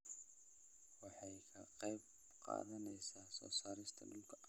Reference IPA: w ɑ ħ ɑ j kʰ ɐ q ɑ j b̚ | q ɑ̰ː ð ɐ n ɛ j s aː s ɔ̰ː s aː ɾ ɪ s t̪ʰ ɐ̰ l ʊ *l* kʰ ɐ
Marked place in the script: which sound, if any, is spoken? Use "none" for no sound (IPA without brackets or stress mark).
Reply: l